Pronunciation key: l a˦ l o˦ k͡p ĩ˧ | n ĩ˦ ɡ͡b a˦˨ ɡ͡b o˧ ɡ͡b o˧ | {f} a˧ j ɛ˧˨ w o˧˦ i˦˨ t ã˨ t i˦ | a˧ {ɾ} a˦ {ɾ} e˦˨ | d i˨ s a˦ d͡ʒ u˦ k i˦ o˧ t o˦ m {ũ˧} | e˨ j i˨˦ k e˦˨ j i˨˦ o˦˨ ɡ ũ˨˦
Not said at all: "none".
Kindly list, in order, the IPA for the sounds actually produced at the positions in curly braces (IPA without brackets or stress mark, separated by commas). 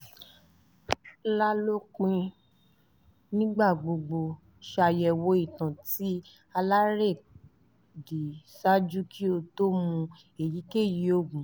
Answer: ʃ, l, ɾ, ũ˧